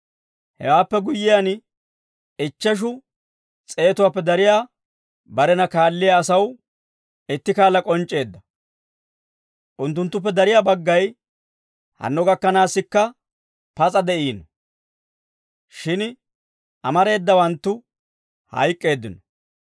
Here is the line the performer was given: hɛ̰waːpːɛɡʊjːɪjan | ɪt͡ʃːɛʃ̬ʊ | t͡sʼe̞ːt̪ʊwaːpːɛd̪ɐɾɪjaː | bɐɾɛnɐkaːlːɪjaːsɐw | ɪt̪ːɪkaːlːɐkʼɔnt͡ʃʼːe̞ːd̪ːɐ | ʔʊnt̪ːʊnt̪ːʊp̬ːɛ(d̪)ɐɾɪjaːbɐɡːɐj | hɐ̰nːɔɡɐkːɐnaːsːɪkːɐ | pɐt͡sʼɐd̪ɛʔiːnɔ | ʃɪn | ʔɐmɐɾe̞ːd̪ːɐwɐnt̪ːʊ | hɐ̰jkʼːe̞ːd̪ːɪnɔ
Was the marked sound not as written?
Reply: no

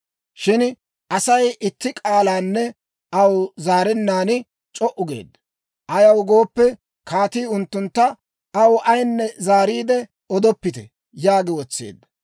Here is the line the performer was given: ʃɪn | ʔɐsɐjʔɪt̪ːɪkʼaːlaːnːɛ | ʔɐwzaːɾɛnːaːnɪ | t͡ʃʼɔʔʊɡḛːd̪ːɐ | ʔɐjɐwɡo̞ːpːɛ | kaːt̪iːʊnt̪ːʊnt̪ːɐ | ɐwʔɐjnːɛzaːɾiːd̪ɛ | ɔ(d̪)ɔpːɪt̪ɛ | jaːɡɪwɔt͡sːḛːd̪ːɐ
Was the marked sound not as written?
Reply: no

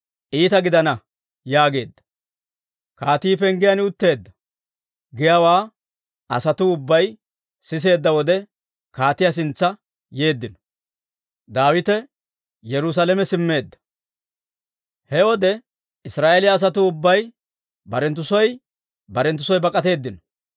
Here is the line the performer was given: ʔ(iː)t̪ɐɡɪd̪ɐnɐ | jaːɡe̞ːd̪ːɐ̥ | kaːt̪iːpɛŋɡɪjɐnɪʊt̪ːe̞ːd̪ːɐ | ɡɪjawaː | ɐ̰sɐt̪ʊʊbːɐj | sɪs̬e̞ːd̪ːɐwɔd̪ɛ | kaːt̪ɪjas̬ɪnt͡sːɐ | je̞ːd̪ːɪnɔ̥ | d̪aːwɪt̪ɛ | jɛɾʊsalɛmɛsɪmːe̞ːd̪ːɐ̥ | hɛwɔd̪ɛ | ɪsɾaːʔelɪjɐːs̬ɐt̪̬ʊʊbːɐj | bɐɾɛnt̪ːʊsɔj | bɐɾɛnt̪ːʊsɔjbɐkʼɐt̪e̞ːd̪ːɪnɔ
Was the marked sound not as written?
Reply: no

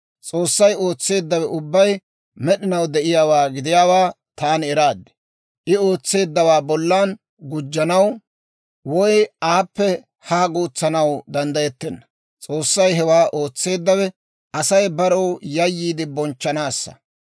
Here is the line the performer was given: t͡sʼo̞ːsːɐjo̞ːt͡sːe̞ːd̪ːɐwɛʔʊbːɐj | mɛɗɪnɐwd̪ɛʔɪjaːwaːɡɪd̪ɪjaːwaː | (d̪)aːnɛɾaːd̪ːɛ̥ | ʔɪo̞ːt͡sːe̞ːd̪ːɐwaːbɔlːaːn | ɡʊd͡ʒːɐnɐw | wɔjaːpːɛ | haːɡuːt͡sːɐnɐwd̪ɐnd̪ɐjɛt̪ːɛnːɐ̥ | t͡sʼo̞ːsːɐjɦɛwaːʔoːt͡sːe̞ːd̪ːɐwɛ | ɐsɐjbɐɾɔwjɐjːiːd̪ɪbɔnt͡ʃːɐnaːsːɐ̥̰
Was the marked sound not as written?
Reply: yes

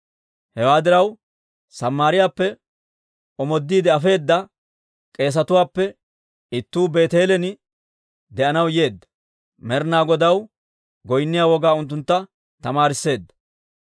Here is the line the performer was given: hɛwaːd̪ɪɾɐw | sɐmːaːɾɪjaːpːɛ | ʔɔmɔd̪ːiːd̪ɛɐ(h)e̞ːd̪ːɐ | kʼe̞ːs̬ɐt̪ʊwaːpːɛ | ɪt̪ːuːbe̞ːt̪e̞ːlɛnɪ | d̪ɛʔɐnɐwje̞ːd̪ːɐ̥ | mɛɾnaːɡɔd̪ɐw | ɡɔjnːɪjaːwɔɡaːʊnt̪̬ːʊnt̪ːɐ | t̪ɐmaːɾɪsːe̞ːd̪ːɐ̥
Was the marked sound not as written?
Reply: yes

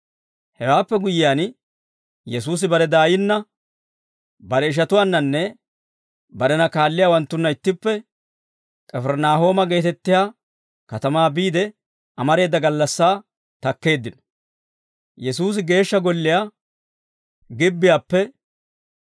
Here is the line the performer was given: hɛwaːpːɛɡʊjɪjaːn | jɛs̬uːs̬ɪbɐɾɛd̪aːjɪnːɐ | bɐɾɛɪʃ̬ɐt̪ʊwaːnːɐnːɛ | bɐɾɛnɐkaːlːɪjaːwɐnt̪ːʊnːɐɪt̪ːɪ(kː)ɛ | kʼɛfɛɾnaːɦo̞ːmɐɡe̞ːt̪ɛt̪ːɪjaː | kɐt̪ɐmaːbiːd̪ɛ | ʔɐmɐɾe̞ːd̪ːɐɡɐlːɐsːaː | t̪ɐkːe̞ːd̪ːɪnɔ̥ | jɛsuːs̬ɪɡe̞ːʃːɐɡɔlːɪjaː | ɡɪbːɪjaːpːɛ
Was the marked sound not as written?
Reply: yes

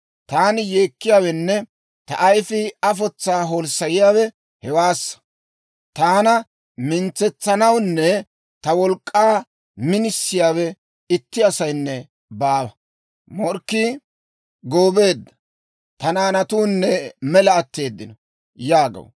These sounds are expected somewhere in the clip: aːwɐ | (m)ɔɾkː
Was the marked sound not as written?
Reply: no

